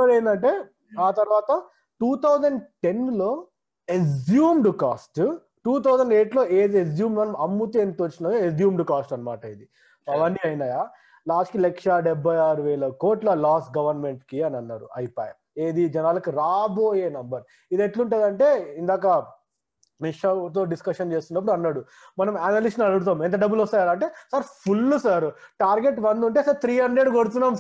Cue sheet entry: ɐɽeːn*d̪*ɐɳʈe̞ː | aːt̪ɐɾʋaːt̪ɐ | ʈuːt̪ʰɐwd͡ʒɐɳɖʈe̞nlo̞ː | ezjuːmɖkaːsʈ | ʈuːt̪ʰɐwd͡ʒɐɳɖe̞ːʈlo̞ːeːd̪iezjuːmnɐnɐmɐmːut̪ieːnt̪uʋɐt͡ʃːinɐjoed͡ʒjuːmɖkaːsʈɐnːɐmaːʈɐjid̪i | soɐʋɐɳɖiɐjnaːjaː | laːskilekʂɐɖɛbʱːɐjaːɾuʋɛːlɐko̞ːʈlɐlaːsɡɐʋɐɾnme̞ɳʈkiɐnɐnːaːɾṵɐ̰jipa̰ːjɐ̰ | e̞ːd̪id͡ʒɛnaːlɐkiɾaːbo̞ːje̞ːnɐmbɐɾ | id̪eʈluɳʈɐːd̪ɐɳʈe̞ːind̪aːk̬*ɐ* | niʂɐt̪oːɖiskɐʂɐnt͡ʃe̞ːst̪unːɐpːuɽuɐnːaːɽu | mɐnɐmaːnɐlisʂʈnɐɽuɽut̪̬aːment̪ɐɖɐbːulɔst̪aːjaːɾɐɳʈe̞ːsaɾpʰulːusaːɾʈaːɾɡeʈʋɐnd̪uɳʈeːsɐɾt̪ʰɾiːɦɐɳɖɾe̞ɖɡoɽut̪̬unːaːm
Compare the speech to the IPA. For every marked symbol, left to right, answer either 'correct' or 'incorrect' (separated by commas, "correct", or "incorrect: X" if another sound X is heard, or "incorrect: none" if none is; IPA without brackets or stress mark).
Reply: correct, correct